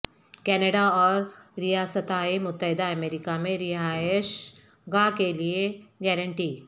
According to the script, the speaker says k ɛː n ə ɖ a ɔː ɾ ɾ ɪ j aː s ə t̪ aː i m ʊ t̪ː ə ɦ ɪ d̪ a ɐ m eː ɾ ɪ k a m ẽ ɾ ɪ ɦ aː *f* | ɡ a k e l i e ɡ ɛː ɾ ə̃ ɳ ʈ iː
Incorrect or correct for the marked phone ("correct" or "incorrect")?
incorrect